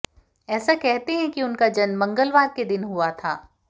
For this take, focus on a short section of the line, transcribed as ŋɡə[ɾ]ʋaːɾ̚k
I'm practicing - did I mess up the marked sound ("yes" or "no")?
yes